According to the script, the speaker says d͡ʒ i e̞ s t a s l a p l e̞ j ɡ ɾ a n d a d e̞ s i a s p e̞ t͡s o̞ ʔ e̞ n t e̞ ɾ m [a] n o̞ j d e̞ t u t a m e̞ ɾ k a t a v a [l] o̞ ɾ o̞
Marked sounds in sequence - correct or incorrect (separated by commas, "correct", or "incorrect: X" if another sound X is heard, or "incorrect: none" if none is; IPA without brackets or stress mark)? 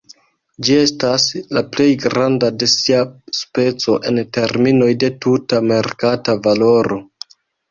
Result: incorrect: i, correct